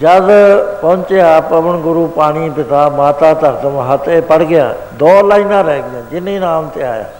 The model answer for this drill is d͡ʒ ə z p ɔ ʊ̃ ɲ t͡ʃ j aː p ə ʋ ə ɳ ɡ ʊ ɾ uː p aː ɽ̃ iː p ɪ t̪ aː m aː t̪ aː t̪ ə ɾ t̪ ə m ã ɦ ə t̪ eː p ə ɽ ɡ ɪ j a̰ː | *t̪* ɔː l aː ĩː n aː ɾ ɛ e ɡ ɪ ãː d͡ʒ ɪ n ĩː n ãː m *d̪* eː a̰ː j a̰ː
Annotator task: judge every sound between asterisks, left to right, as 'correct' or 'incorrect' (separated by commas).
incorrect, incorrect